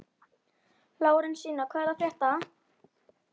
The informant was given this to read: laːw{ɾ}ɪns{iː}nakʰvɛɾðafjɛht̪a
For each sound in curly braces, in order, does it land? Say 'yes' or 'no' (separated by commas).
yes, yes